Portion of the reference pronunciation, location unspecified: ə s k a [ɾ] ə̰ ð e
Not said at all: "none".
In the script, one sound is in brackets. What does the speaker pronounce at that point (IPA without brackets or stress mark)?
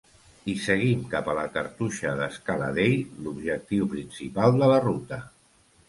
l